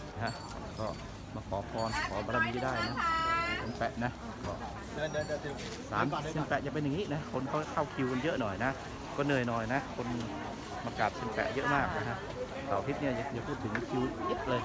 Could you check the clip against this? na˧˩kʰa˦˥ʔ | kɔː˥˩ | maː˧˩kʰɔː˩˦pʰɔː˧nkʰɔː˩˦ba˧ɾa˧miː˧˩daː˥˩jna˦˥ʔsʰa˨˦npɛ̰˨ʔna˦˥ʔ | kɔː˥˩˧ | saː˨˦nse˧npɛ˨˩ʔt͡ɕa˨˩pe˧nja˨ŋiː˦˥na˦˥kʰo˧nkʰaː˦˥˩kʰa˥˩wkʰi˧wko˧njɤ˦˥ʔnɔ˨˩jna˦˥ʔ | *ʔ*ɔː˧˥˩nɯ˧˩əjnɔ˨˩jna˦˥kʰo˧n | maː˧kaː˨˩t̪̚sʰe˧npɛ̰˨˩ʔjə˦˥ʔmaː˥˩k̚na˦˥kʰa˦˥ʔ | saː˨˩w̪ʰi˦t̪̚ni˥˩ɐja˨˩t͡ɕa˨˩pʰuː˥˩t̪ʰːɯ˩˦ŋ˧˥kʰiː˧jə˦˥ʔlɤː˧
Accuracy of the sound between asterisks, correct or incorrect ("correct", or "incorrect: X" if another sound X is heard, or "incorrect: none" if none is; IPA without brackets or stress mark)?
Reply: incorrect: k